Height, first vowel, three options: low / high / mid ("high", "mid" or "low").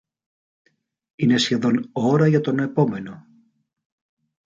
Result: high